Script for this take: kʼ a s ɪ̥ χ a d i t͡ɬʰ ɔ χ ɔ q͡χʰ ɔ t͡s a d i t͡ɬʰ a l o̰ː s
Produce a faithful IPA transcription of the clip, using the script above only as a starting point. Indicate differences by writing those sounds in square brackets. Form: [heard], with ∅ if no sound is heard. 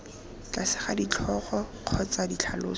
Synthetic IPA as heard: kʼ a s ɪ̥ χ a d i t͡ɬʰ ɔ χ ɔ q͡χʰ ɔ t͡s a d i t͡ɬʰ a l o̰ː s